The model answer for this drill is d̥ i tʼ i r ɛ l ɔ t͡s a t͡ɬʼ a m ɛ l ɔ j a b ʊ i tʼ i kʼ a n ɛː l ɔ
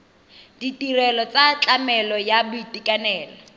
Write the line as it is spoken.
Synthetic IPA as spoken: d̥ i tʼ i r ɛ l ɔ t͡s a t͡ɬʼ a m ɛ l ɔ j a b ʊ i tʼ i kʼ a n ɛː l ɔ